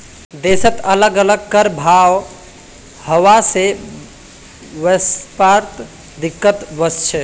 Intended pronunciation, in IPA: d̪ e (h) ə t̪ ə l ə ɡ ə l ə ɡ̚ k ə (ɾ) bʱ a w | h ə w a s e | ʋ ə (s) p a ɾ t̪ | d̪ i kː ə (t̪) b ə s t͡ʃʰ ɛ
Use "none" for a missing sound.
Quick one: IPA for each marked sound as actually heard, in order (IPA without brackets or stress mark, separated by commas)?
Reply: s, ɾ, s, t̪